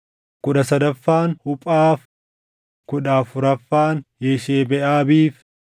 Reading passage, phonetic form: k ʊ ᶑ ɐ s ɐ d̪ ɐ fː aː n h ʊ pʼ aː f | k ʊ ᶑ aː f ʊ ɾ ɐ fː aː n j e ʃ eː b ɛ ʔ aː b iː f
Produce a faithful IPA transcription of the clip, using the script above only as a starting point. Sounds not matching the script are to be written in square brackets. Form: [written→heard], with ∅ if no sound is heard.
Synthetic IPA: k ʊ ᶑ ɐ s ɐ d̪ ɐ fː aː n h ʊ pʼ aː f | k ʊ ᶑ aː f ʊ ɾ ɐ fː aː n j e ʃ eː b ɛ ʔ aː b iː f